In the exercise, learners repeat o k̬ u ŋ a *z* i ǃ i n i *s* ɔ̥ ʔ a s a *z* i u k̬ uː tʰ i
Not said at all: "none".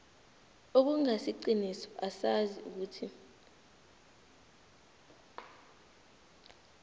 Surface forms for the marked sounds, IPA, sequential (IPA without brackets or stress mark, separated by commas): s, s, z